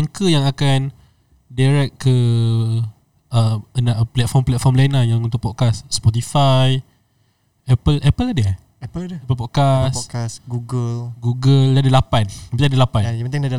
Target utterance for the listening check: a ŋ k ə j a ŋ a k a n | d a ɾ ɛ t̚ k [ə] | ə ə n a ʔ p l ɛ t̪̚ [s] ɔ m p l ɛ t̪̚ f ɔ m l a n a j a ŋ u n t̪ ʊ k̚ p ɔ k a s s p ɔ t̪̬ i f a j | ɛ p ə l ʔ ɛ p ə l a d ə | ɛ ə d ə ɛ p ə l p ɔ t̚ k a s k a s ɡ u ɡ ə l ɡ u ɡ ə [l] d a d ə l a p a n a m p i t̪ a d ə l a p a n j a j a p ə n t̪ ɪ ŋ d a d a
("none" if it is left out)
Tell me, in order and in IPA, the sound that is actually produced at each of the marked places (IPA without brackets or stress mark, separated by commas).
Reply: ə, f, l